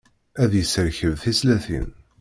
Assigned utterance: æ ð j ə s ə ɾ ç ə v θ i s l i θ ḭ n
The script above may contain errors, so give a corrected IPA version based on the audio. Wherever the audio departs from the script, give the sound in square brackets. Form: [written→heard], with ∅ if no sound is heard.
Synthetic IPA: æ ð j ə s ə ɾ ç ə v θ i s l [i→æ] θ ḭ n